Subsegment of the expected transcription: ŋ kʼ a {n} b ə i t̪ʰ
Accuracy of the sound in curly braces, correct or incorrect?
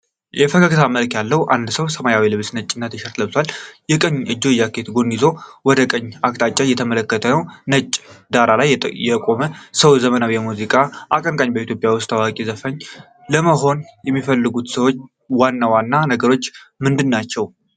incorrect